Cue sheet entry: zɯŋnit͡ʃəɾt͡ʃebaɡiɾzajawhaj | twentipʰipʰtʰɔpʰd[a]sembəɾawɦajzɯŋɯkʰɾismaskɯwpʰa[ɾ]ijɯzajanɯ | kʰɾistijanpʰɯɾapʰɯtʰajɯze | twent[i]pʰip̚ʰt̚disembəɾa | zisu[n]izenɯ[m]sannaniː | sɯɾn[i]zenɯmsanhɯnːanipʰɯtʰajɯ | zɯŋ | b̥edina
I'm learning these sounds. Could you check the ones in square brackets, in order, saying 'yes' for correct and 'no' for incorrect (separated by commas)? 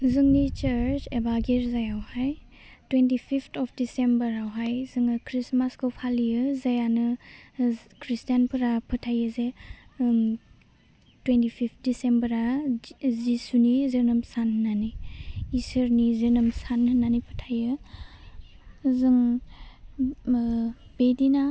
no, no, yes, yes, yes, yes